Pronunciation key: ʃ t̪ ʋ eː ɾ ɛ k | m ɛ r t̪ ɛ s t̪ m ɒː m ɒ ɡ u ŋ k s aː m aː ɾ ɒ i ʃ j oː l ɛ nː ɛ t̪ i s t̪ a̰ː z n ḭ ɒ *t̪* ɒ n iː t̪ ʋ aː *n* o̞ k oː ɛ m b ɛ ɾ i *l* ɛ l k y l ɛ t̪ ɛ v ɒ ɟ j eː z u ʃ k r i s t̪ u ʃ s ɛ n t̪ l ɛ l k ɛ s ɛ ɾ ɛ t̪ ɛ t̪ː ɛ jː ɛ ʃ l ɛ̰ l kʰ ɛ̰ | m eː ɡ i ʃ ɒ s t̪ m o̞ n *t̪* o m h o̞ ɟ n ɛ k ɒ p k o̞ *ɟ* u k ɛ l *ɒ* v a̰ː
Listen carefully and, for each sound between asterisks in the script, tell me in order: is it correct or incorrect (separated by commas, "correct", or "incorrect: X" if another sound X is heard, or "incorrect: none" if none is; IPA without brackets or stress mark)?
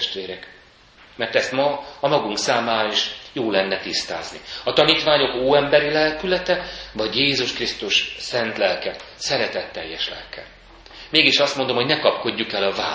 correct, incorrect: ɲ, correct, incorrect: d̪, incorrect: ɟː, correct